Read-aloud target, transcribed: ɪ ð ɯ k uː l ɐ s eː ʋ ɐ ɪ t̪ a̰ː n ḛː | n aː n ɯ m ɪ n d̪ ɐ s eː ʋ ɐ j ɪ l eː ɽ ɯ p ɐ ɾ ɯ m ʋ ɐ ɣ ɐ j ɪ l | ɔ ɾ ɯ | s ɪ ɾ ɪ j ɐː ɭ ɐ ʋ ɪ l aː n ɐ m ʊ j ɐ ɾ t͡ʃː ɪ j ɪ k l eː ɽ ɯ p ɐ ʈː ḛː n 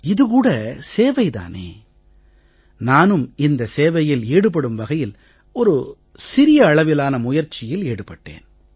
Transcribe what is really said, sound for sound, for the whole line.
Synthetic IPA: ɪ ð ɯ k uː ɽ ɐ s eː ʋ ɐ ɪ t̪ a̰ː n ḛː | n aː n ɯ m ɪ n d̪ ɐ s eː ʋ ɐ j ɪ l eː ɽ ɯ p ɐ ɽ ɯ m ʋ ɐ ɣ ɐ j ɪ l | ɔ ɾ ɯ | s ɪ ɾ ɪ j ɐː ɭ ɐ ʋ ɪ l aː n ɐ m ʊ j ɐ ɾ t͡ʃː ɪ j ɪ l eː ɽ ɯ p ɐ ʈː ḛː n